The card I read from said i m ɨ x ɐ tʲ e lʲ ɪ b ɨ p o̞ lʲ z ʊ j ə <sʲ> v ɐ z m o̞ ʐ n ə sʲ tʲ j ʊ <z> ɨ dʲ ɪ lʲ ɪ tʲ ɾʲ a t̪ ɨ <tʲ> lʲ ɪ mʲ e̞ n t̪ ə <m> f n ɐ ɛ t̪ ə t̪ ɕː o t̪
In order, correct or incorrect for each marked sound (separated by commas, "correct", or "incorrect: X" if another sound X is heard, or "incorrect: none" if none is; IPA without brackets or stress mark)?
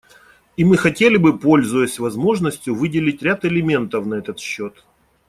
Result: correct, incorrect: v, incorrect: none, incorrect: none